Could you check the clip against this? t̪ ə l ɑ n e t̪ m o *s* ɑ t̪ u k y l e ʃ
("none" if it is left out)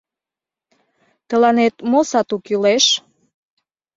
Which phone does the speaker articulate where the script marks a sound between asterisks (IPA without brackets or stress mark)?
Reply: s